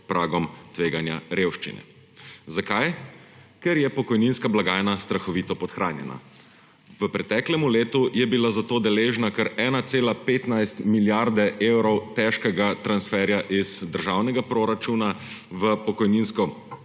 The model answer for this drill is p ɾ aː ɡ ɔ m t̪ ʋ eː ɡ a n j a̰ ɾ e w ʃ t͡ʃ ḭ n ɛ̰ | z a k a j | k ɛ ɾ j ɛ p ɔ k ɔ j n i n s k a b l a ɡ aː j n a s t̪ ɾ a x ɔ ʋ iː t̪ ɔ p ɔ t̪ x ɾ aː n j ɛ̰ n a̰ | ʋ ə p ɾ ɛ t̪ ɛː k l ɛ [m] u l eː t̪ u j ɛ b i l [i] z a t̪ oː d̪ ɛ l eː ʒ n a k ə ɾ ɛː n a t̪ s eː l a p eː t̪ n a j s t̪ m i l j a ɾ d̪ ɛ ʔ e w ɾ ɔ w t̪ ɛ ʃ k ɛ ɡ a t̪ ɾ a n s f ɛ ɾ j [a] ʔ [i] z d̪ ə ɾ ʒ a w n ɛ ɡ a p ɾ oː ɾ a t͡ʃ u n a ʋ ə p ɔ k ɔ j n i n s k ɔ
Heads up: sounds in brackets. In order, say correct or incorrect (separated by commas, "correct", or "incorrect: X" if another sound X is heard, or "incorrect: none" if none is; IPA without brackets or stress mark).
correct, incorrect: a, correct, correct